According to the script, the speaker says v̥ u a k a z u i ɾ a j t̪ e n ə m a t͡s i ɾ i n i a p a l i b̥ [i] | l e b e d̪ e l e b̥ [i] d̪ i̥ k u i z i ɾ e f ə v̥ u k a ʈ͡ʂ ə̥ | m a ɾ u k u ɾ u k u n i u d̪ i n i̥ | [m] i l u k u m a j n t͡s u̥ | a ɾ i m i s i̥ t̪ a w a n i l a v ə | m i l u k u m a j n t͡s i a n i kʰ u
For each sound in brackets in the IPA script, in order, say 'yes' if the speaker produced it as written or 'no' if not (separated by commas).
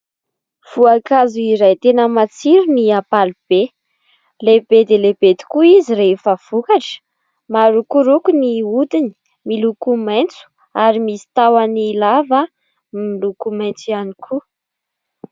no, no, yes